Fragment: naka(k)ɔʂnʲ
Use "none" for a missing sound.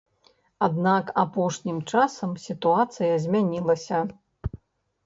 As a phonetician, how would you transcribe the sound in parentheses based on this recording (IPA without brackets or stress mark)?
p